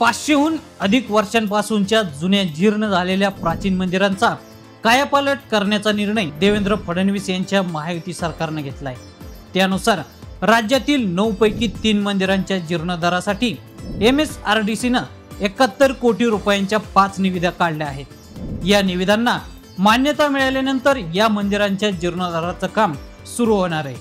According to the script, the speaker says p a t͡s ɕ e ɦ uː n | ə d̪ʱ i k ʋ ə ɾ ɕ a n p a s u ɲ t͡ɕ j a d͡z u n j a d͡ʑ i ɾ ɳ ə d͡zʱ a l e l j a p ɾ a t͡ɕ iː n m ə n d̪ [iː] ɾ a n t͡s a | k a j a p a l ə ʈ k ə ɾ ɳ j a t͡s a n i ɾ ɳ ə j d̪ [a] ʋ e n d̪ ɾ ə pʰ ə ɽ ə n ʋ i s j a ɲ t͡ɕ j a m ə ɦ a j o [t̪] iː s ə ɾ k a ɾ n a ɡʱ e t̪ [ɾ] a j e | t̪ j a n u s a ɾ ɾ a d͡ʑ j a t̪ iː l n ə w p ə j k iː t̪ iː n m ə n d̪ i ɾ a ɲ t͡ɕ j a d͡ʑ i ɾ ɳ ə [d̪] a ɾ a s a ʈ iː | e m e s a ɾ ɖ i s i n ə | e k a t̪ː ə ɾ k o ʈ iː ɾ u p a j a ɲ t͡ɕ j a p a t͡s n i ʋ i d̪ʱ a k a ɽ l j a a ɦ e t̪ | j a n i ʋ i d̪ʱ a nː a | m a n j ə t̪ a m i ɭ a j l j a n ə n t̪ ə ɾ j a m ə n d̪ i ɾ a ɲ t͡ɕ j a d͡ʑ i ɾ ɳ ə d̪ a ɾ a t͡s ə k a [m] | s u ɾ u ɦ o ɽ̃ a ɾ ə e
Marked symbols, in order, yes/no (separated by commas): no, no, yes, no, yes, yes